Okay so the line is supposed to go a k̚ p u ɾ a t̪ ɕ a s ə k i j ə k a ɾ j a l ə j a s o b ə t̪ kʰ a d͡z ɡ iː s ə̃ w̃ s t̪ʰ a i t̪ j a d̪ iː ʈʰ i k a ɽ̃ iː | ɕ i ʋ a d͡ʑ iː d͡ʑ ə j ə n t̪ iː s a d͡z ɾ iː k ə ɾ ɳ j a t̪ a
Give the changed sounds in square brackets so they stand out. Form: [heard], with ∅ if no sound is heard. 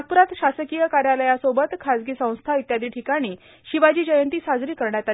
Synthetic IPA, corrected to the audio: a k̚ p u ɾ a t̪ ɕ a s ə k i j ə k a ɾ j a l ə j a s o b ə t̪ kʰ a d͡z ɡ iː s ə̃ w̃ s t̪ʰ a i t̪ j a d̪ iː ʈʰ i k a ɽ̃ iː | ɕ i ʋ a d͡ʑ iː d͡ʑ ə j ə n t̪ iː s a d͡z ɾ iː k ə ɾ ɳ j a t̪ a